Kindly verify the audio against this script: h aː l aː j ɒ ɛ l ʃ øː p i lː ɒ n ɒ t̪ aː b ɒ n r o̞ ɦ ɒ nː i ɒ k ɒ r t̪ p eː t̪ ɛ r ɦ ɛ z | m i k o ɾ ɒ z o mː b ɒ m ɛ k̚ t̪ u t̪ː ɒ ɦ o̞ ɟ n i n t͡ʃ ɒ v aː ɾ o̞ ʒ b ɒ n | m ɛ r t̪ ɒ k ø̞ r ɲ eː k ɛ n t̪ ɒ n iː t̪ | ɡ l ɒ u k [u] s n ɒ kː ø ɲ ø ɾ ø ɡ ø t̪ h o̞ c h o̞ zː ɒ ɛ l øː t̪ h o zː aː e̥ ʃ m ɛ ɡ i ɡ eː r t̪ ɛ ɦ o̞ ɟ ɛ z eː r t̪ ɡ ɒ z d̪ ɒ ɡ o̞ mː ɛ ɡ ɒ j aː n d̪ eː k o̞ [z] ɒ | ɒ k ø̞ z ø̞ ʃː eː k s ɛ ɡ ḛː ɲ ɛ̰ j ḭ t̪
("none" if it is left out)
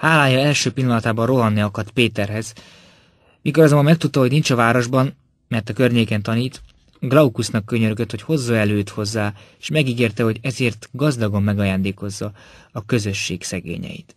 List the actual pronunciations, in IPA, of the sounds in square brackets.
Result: u, zː

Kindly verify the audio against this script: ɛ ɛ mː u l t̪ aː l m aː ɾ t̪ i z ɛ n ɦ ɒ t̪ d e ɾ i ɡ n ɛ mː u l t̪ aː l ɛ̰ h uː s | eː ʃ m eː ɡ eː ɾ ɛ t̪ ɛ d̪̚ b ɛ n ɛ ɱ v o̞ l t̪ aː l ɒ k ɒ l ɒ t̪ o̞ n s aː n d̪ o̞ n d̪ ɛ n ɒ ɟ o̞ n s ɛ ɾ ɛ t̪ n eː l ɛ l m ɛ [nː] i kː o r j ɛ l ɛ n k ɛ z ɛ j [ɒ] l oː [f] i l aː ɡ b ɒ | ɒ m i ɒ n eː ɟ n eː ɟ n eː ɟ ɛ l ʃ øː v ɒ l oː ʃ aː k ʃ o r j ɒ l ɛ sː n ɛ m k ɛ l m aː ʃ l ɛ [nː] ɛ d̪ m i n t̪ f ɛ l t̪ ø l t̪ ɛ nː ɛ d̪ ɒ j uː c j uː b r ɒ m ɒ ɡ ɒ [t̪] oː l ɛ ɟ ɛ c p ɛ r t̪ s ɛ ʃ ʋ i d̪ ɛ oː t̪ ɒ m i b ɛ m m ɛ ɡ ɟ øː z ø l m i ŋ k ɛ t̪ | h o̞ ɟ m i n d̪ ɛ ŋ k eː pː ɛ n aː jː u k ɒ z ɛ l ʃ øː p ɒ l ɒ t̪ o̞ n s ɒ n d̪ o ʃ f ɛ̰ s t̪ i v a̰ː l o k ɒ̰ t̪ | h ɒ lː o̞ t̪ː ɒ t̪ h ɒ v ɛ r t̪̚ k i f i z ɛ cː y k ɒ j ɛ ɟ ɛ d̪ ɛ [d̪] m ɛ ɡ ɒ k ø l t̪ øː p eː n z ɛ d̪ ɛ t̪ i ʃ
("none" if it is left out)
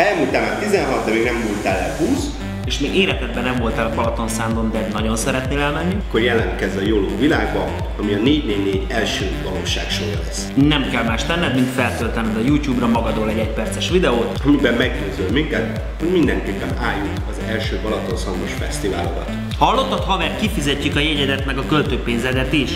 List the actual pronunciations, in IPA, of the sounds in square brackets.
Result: nː, o, v, nː, d̪, t̪

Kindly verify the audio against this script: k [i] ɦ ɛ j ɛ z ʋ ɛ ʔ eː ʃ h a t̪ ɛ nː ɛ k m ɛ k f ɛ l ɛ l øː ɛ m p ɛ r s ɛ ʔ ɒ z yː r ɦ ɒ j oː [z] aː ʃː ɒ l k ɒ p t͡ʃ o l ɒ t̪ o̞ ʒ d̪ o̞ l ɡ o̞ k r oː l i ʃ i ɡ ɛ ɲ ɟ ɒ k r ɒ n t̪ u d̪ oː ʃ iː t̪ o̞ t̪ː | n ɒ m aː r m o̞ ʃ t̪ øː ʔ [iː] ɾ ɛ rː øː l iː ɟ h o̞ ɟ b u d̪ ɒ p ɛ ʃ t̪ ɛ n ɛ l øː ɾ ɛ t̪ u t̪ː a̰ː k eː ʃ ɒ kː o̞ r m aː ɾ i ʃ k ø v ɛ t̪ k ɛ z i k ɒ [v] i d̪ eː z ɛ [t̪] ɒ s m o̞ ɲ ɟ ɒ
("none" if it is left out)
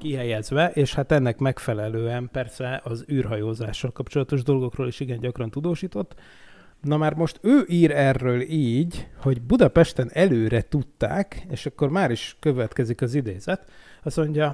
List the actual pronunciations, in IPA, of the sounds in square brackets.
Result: i, z, iː, z, t̪

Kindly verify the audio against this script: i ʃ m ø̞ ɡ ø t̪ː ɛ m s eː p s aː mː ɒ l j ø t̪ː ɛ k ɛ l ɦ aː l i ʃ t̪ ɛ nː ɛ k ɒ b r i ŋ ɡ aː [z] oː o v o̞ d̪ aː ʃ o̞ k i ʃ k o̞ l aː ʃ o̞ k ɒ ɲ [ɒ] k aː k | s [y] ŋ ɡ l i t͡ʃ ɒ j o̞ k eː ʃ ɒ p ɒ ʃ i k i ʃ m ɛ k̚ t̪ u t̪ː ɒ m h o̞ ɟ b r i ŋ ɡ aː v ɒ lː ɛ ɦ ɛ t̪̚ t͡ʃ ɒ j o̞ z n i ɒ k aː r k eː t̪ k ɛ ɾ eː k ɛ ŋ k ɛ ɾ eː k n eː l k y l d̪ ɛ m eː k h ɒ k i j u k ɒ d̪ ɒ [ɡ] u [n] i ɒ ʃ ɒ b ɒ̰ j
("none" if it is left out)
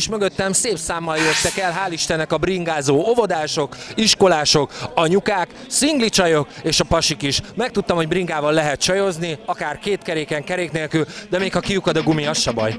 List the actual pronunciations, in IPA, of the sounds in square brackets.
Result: z, u, i, ɡ, m

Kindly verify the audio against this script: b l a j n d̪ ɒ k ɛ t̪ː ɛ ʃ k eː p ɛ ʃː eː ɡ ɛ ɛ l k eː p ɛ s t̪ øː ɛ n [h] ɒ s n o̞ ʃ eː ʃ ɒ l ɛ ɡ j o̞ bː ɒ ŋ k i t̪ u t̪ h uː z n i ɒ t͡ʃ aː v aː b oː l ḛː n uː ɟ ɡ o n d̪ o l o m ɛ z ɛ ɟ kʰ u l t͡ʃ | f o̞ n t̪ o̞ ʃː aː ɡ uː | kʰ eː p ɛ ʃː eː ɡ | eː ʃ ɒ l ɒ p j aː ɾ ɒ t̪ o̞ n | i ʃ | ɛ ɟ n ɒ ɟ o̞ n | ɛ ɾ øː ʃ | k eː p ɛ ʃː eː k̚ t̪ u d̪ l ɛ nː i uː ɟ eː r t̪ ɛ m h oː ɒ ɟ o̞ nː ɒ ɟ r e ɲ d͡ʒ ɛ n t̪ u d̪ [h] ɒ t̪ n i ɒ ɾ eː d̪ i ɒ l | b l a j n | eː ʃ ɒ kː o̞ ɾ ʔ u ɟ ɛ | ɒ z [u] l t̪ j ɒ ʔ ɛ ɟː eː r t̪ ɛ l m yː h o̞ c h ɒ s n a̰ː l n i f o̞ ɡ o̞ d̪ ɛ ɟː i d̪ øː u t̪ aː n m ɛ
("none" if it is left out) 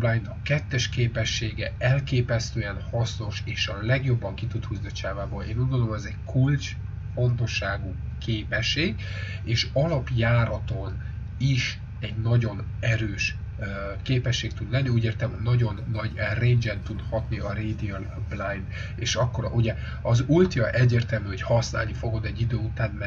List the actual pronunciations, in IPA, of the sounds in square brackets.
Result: h, h, u

